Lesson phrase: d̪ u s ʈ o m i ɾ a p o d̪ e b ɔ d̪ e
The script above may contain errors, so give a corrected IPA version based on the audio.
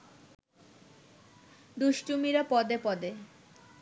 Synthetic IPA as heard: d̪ u ʃ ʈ u m i ɾ a p ɔ d̪ e p ɔ d̪ e